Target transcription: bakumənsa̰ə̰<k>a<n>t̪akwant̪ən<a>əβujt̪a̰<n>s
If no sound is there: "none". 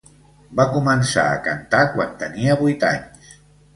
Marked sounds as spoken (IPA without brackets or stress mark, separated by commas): k, n, i, ɲ